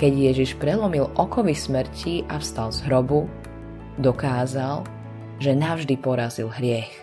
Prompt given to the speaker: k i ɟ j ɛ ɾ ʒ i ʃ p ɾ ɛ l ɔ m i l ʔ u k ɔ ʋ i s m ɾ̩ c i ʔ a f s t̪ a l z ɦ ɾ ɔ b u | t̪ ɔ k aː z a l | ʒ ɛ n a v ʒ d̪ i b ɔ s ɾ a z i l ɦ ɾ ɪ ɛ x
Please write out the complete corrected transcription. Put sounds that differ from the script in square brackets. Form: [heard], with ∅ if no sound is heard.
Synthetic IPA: k [ɛ] ɟ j ɛ [∅] ʒ i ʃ p ɾ ɛ l ɔ m i l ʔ [ɔ] k ɔ ʋ i s m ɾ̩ c i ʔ a f s t̪ a l z ɦ ɾ ɔ b u | [d̪] ɔ k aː z a l | ʒ ɛ n a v ʒ d̪ i [p] ɔ [∅] ɾ a z i l ɦ ɾ ɪ ɛ x